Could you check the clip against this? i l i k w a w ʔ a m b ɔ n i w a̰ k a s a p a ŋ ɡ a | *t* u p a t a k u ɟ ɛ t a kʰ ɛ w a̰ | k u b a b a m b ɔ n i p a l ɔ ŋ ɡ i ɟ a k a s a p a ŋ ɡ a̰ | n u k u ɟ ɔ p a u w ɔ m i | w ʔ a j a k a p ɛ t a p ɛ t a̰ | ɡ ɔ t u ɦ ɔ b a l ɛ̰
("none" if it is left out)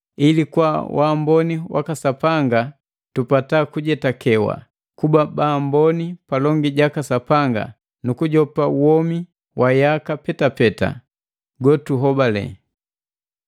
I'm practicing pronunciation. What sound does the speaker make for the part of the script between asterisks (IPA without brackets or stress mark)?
t